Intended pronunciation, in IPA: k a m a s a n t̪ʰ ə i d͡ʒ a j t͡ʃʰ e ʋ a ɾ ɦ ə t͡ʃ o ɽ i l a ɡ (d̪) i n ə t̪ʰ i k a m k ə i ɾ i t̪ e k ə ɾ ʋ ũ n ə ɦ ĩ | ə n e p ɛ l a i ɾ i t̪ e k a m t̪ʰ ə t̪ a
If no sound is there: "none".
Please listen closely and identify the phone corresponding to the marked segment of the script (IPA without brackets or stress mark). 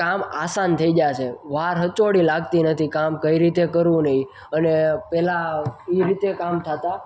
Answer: t̪